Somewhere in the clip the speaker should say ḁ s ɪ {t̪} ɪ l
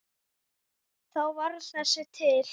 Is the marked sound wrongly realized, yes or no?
yes